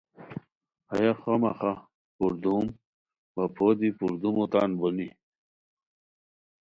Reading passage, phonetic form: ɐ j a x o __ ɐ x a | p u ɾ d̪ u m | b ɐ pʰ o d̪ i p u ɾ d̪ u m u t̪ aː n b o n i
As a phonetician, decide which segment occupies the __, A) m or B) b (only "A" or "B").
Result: A